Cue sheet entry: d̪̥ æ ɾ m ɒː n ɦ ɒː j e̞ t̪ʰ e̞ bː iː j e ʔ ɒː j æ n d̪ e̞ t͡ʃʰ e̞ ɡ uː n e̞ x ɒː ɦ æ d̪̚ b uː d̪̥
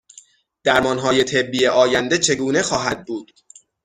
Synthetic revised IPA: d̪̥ æ ɾ m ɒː n ɦ ɒː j e̞ t̪ʰ e̞ bː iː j e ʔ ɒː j æ n d̪ e̞ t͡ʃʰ e̞ ɡ uː n e̞ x ɒː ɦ æ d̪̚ b uː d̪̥